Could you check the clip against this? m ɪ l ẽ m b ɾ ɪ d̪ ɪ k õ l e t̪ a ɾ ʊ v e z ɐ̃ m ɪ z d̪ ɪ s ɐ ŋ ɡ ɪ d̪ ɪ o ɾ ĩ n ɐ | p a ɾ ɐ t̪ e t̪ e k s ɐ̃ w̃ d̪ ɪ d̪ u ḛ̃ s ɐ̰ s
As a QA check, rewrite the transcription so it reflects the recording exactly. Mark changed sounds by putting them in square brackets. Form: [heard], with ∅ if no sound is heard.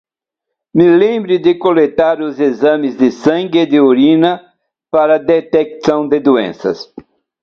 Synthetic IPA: m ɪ l ẽ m b ɾ ɪ d̪ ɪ k [o] l e t̪ a ɾ ʊ [z] e z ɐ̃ m ɪ z d̪ ɪ s [ɐ̃] ŋ ɡ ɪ d̪ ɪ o ɾ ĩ n ɐ | p a ɾ ɐ [d̪] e t̪ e k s ɐ̃ w̃ d̪ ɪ d̪ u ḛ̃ s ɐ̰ s